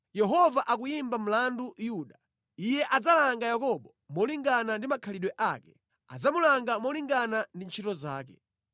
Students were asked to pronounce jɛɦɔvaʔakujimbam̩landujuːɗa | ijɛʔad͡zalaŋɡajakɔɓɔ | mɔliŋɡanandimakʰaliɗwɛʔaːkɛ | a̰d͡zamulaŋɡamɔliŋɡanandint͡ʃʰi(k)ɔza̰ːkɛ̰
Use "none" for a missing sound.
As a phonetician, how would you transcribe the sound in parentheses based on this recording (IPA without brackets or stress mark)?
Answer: t